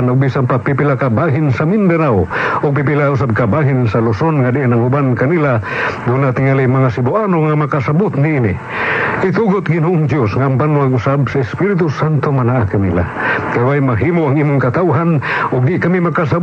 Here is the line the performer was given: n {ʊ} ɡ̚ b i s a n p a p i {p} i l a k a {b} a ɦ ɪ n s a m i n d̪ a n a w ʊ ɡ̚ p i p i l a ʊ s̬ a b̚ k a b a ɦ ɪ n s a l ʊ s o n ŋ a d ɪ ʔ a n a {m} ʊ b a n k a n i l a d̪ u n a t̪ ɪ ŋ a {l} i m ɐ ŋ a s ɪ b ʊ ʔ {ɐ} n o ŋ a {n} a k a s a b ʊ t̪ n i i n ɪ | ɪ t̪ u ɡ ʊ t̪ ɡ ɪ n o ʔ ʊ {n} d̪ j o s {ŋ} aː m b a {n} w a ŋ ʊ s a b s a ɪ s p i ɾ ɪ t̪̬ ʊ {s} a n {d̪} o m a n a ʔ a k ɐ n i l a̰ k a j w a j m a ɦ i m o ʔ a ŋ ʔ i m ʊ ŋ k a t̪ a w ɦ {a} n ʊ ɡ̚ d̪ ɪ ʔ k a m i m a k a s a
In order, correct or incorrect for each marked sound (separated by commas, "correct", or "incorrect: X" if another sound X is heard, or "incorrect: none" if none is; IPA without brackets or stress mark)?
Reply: correct, correct, correct, incorrect: ŋ, correct, incorrect: a, incorrect: m, incorrect: ŋ, correct, correct, correct, incorrect: t̪, correct